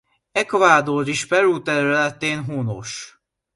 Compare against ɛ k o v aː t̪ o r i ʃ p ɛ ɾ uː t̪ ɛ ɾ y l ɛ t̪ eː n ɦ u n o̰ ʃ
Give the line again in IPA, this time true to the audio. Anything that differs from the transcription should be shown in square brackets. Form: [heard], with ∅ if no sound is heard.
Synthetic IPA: ɛ k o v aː [d̪] o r i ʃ p ɛ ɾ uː t̪ ɛ ɾ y l ɛ t̪ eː n ɦ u n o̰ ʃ

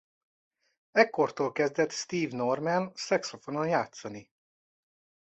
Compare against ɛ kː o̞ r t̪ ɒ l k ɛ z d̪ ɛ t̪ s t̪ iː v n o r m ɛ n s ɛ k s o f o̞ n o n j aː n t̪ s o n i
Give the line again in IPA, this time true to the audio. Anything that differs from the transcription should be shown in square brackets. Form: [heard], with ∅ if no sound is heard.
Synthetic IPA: ɛ kː o̞ r t̪ [o] l k ɛ z d̪ ɛ t̪ s t̪ iː v n o r m ɛ n s ɛ k s o f o̞ n o n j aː [∅] t̪ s [ɒ] n i

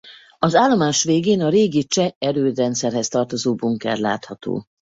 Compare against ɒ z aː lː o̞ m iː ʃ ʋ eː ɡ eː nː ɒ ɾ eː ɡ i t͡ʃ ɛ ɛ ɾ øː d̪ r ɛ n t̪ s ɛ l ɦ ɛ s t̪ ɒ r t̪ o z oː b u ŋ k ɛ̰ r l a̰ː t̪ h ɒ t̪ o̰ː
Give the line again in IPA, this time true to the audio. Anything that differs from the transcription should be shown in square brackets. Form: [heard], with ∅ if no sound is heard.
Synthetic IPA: ɒ z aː lː o̞ m [aː] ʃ ʋ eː ɡ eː [n] ɒ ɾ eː ɡ i t͡ʃ ɛ ɛ ɾ øː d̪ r ɛ n t̪ s ɛ [r] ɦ ɛ s t̪ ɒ r t̪ o z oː b u ŋ k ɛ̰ r l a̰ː t̪ h ɒ t̪ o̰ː

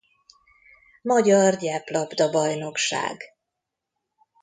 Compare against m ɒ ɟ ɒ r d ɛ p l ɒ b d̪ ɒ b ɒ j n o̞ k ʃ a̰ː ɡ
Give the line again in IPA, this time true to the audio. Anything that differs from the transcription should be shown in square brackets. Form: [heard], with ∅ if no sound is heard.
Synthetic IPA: m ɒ ɟ ɒ r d ɛ p l ɒ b d̪ ɒ b ɒ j n o̞ k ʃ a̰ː ɡ

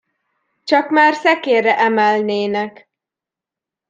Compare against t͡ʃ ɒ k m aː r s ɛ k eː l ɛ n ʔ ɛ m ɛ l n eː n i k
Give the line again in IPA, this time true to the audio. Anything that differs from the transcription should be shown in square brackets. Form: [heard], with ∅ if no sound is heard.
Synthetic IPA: t͡ʃ ɒ k m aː r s ɛ k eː [r] ɛ [∅] ʔ ɛ m ɛ l n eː n [ɛ] k

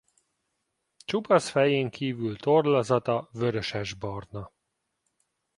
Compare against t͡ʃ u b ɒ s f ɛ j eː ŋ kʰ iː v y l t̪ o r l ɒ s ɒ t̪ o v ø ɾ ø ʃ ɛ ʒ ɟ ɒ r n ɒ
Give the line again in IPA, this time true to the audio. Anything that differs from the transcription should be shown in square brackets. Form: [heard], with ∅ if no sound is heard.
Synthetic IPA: t͡ʃ u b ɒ s f ɛ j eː ŋ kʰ iː v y l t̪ o r l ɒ [z] ɒ t̪ [ɒ] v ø ɾ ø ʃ ɛ ʒ [b] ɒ r n ɒ

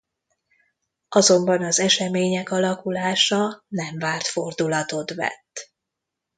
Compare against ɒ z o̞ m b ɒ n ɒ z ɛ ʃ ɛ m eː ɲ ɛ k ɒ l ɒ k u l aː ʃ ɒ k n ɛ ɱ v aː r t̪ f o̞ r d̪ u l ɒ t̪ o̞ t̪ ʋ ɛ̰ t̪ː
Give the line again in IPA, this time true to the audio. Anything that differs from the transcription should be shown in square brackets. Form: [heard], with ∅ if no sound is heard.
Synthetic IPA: ɒ z o̞ m b ɒ n ɒ z ɛ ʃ ɛ m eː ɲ ɛ k ɒ l ɒ k u l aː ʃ ɒ [∅] n ɛ ɱ v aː r t̪ f o̞ r d̪ u l ɒ t̪ o̞ t̪ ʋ ɛ̰ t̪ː

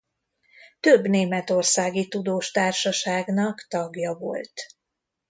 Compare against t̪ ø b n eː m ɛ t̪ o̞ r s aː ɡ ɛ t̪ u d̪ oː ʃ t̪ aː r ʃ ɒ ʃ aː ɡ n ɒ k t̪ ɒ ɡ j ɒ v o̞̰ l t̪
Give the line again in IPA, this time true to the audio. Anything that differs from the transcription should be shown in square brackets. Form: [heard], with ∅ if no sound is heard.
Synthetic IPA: t̪ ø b n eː m ɛ t̪ o̞ r s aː ɡ [i] t̪ u d̪ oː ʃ t̪ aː r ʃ ɒ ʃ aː ɡ n ɒ k t̪ ɒ ɡ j ɒ v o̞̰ l t̪

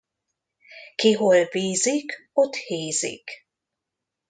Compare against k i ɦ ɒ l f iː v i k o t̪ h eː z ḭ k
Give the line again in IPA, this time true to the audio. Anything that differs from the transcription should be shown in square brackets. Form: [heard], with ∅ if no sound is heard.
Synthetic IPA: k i ɦ [o] l [v] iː [z] i k o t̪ h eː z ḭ k

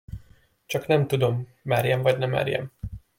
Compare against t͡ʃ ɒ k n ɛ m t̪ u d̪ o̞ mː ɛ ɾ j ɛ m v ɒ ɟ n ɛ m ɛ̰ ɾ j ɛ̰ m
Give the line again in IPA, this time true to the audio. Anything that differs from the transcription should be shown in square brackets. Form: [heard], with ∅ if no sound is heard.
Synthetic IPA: t͡ʃ ɒ k n ɛ m t̪ u d̪ o̞ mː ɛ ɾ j ɛ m v ɒ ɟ n ɛ m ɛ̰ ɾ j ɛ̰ m

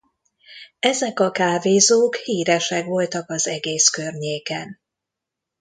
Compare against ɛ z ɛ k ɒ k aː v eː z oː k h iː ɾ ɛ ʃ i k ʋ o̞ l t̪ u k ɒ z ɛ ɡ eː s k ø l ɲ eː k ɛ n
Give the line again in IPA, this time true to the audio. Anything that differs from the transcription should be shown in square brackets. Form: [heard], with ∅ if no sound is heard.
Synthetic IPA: ɛ z ɛ k ɒ k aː v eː z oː k h iː ɾ ɛ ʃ [ɛ] k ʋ o̞ l t̪ [ɒ] k ɒ z ɛ ɡ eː s k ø [r] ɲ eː k ɛ n

